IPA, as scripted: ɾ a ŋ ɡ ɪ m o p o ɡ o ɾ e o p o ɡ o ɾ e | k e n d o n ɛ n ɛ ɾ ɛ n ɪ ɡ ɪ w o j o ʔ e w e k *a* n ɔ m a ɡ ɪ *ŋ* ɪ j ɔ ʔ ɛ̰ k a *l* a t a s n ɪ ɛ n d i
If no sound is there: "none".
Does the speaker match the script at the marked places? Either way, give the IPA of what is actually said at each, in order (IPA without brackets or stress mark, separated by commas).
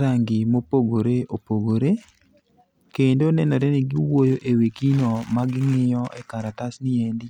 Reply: i, ŋ, ɾ